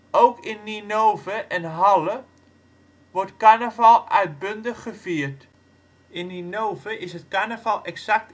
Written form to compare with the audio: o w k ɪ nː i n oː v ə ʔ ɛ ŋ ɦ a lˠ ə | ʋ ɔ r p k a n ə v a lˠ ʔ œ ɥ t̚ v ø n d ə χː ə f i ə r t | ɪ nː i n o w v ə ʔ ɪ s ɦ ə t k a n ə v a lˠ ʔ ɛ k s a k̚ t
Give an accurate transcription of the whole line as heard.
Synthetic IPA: o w k ɪ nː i n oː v ə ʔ ɛ n ɦ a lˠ ə | ʋ ɔ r t k a n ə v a lˠ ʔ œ ɥ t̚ b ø n d ə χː ə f i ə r t | ɪ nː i n o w v ə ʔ ɪ s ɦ ə t k a n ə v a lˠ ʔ ɛ k s a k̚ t

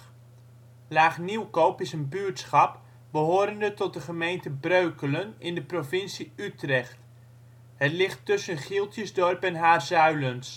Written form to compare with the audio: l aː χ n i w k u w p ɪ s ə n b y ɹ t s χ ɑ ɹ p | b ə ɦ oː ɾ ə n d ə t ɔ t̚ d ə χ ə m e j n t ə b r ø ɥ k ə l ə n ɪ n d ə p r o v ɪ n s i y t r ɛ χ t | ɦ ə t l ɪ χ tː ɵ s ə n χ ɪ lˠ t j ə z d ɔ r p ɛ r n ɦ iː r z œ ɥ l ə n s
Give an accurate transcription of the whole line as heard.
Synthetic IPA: l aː χ n i w k o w p ɪ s ə n b y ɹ t s χ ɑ p | b ə ɦ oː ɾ ə n d ə t ɔ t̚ d ə χ ə m e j n t ə b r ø ɥ k ə l ə n ɪ n d ə p r o v ɪ n s i y t r ɛ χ t | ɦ ə t l ɪ χ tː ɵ s ə n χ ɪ lˠ t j ə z d ɔ r p ɛ n ɦ aː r z œ ɥ l ə n s

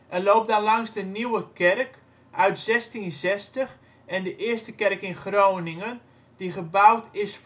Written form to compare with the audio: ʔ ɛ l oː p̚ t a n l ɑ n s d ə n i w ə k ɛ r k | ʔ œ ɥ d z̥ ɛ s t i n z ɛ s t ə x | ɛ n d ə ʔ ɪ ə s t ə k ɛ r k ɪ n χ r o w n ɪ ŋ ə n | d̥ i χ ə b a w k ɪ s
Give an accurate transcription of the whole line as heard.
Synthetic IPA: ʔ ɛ l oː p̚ d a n l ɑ ŋ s d ə n i w ə k ɛ r k | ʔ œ ɥ t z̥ ɛ s t i n z ɛ s t ə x | ɛ n d ə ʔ ɪ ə s t ə k ɛ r k ɪ n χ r o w n ɪ ŋ ə n | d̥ i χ ə b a w t ɪ s

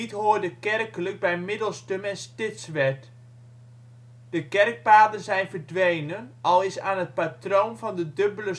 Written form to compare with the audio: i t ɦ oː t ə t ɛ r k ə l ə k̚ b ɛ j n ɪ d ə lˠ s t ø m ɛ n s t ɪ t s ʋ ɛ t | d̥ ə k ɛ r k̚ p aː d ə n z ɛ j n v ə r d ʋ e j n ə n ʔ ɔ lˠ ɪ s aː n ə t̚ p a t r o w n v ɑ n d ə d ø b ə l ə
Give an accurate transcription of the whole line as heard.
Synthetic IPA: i t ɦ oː d ə k ɛ r k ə l ə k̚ b ɛ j m ɪ d ə lˠ s t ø m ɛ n s t ɪ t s ʋ ɛ t | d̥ ə k ɛ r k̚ p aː d ə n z ɛ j n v ə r d ʋ e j n ə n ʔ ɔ lˠ ɪ s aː n ə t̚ p a t r o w n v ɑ n d ə d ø b ə l ə

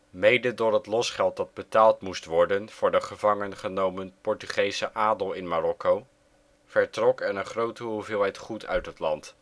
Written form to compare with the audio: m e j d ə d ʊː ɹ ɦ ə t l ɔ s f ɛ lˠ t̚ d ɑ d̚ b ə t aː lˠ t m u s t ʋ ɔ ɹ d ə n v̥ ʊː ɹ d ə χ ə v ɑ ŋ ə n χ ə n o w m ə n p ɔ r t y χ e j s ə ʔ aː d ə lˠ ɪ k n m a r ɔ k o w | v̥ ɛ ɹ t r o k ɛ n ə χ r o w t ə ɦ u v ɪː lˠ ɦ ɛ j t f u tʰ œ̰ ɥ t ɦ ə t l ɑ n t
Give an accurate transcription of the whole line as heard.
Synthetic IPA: m e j d ə d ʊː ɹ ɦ ə t l ɔ s χ ɛ lˠ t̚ d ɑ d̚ b ə t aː lˠ t m u s t ʋ ɔ ɹ d ə n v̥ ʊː ɹ d ə χ ə v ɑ ŋ ə n χ ə n o w m ə n p ɔ ɹ t y χ e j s ə ʔ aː d ə lˠ ɪ n m a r ɔ k o w | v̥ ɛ ɹ t r ɔ k ɛ n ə χ r o w t ə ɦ u v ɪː lˠ ɦ ɛ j t χ u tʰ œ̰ ɥ t ɦ ə t l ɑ n t

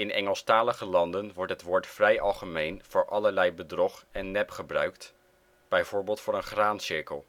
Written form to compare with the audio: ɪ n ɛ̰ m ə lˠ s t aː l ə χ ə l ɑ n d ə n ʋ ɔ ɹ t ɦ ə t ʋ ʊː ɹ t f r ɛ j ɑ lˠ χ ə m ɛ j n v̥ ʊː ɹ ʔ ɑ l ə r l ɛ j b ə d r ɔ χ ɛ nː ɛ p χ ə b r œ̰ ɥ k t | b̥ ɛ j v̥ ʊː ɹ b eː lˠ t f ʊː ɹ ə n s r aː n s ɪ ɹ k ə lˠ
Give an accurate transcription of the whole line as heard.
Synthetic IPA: ɪ n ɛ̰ ŋ ə lˠ s t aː l ə χ ə l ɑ n d ə n ʋ ɔ ɹ t ɦ ə t ʋ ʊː ɹ t f r ɛ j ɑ lˠ χ ə m e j n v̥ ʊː ɹ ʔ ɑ l ə ɹ l ɛ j b ə d r ɔ χ ɛ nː ɛ p χ ə b r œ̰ ɥ k t | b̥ ɛ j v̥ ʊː ɹ b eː lˠ t f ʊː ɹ ə n χ r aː n s ɪ ɹ k ə lˠ

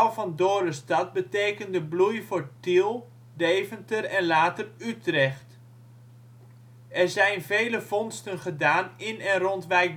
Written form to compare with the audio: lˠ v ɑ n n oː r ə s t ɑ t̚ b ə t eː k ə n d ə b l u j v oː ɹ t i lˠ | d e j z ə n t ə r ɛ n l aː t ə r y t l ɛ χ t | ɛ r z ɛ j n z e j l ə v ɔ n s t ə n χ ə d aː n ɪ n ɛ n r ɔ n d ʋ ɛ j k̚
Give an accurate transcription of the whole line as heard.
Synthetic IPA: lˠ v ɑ n d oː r ə s t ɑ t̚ b ə t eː k ə n d ə b l u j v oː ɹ t i lˠ | d e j v ə n t ə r ɛ n l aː t ə r y t r ɛ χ t | ɛ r z ɛ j n v e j l ə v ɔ n s t ə n χ ə d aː n ɪ n ɛ n r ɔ n t ʋ ɛ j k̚

